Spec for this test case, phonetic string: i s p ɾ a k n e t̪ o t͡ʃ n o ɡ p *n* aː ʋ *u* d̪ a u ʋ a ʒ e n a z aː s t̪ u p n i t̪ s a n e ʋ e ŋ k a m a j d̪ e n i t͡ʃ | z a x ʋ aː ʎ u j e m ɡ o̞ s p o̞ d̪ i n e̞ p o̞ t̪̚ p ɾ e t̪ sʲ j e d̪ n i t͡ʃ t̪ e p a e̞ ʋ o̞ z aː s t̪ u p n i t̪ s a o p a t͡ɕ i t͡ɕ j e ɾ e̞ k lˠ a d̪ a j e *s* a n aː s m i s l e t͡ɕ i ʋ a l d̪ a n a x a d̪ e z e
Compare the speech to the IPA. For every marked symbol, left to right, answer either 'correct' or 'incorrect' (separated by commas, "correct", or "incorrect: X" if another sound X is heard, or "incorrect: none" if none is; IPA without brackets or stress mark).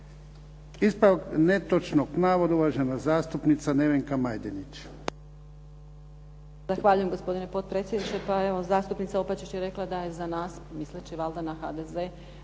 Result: correct, incorrect: o, incorrect: z